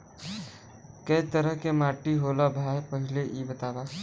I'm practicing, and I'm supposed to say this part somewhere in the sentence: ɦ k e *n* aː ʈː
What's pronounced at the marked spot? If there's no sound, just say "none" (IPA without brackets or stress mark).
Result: m